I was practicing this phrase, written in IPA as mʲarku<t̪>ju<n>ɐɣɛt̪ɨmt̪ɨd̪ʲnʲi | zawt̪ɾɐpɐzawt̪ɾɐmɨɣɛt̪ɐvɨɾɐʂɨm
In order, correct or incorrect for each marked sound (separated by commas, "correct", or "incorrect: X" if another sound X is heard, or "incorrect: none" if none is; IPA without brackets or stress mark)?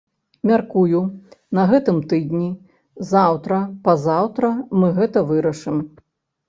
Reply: incorrect: none, correct